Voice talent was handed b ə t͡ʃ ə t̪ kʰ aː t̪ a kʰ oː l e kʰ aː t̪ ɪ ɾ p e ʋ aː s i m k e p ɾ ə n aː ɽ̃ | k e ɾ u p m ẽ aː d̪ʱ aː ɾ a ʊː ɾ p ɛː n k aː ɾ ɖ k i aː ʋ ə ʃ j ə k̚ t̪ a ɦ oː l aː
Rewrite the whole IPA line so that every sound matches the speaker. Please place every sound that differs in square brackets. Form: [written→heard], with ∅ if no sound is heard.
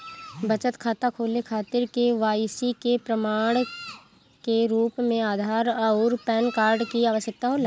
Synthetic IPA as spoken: b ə t͡ʃ ə t̪ kʰ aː t̪ a kʰ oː l e kʰ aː t̪ ɪ ɾ [p→k] e ʋ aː s i [m→∅] k e p ɾ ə [n→m] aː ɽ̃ | k e ɾ [u→uː] p m ẽ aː d̪ʱ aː ɾ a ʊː ɾ p ɛː n k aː ɾ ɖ k i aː ʋ ə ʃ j ə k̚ t̪ a ɦ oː l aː